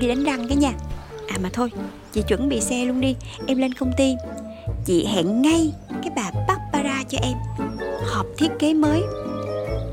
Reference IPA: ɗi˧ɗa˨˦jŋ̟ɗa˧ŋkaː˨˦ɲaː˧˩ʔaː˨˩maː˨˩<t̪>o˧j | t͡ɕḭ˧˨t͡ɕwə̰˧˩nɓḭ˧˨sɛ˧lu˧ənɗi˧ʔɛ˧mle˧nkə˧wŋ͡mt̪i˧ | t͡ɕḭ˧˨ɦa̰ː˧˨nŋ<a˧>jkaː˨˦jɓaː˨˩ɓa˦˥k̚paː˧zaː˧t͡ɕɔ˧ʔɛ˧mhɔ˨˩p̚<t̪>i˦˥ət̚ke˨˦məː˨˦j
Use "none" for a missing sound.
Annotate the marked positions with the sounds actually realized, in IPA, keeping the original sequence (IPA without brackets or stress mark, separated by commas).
t̪ʰ, a˧, t̪ʰ